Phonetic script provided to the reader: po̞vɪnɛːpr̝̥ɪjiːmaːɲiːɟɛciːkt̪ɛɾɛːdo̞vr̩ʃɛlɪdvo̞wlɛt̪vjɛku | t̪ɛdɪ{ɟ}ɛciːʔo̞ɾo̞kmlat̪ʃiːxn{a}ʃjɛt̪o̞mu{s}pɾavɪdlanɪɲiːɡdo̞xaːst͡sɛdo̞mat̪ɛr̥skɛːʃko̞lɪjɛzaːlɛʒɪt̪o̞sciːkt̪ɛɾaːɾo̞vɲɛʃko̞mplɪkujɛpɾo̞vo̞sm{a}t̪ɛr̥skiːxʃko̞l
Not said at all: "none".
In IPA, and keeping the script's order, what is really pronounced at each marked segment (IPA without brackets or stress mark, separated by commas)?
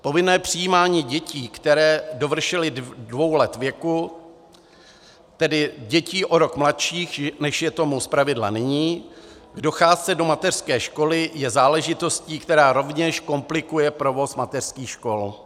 ɟ, ɛ, s, a